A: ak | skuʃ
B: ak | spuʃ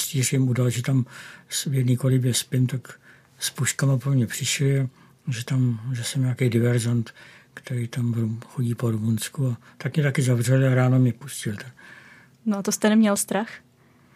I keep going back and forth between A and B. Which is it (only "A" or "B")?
B